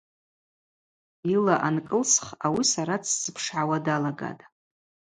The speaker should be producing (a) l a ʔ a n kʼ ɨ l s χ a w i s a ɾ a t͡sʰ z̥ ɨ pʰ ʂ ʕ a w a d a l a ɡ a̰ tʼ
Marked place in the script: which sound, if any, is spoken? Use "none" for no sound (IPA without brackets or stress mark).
i